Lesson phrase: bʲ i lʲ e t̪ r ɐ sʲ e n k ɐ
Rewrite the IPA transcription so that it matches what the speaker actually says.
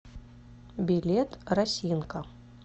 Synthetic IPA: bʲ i lʲ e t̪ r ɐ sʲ i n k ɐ